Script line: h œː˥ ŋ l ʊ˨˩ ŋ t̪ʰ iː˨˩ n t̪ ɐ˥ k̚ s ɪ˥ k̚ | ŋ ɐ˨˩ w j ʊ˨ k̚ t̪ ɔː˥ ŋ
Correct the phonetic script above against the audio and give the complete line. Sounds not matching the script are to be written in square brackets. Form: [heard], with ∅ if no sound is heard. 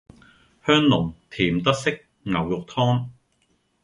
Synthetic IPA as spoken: h œː˥ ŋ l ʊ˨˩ ŋ t̪ʰ iː˨˩ [m] t̪ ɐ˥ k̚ s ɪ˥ k̚ | ŋ ɐ˨˩ w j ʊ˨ k̚ [t̪ʰ] ɔː˥ ŋ